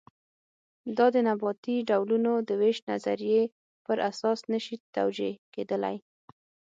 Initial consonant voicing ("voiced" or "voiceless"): voiced